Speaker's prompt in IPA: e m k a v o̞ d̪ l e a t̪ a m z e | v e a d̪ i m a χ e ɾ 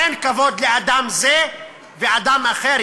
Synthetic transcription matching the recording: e n k a v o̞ d̪ l e a d̪ a m z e | v e a d̪ a m a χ e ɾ